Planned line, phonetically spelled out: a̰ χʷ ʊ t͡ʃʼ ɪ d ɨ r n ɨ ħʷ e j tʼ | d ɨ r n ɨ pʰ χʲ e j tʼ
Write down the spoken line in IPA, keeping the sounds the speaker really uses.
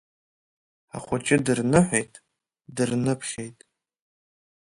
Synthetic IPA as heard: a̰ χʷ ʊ t͡ʃʼ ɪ d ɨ r n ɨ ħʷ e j tʼ | d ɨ r n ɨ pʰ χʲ e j tʼ

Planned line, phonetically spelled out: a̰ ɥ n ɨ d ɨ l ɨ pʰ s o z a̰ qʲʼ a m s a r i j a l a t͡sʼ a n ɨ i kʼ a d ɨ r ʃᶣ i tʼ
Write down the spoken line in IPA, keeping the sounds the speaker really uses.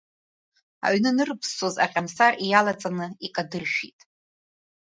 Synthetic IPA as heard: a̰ ɥ n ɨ n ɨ r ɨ pʰ s o z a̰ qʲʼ a m s a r i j a l a t͡sʼ a n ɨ i kʼ a d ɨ r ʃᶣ i tʼ

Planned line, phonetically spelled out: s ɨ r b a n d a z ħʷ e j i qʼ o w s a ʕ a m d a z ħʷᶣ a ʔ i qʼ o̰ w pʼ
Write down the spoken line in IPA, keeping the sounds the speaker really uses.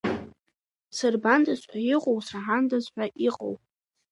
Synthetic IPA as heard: s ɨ r b a n d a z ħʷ a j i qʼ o w s a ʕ a n d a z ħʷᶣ a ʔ i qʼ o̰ w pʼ

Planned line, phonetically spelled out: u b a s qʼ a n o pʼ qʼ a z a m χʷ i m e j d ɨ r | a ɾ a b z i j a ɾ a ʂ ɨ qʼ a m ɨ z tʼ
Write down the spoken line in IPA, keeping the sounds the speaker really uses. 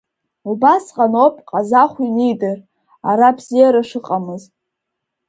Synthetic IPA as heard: u b a s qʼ a n o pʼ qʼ a z a χʷ i n e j d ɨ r | a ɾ a b z i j a ɾ a ʂ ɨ qʼ a m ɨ z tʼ

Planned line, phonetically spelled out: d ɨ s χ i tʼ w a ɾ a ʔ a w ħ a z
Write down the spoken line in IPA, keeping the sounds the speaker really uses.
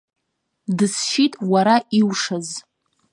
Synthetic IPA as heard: d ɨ s ʃ i tʼ w a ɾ a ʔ i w ʂ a z

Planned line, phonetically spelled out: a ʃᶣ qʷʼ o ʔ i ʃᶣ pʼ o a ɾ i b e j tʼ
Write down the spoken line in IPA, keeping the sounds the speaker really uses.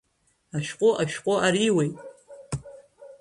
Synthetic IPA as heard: a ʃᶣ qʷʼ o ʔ a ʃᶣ qʼ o a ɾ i w e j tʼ

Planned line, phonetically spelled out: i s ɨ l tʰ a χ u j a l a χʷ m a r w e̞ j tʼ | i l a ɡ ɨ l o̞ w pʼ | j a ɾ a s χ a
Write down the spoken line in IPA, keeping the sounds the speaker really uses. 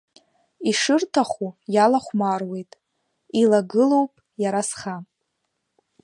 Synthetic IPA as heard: i ʂ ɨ r tʰ a χ u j a l a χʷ m a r w e̞ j tʼ | i l a ɡ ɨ l o̞ w pʼ | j a ɾ a s χ a

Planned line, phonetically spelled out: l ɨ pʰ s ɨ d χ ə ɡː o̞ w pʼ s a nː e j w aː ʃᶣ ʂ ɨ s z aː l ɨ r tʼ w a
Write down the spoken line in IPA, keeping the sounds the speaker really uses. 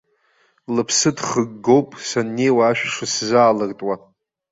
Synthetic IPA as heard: l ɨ pʰ s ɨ d χ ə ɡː o̞ w pʼ s a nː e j w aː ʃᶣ ʂ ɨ s z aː l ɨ r tʼ w a

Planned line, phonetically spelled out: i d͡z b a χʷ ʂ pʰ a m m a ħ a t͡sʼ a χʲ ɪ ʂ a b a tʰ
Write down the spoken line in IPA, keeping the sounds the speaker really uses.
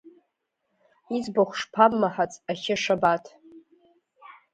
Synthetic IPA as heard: i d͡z b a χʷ ʂ pʰ a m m a ħ a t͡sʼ a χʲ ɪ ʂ a b a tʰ

